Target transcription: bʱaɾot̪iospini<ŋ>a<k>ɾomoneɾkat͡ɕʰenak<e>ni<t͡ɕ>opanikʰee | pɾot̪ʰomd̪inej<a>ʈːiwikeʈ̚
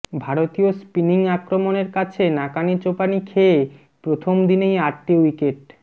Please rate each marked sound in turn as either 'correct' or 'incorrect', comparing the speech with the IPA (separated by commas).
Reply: correct, correct, incorrect, correct, correct